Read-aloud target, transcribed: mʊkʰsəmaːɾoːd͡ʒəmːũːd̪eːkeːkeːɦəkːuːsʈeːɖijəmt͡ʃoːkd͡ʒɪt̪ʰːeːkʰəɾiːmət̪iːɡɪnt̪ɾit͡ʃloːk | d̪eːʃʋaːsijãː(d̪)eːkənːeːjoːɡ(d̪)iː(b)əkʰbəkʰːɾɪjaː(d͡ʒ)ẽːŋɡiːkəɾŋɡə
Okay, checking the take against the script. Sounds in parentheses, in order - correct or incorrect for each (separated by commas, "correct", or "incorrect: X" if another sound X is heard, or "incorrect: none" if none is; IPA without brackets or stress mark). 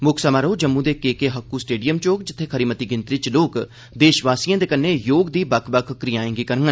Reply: correct, correct, correct, incorrect: none